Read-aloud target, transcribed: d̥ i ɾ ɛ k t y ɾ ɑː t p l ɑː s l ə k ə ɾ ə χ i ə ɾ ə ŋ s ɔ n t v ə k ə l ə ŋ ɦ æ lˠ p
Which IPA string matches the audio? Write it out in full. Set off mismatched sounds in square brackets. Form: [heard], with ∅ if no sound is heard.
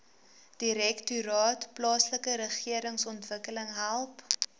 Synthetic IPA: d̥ i ɾ ɛ k t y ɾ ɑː t p l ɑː s l ə k ə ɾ ə χ i ə ɾ ə ŋ s ɔ n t v ə k ə l ə ŋ ɦ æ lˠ p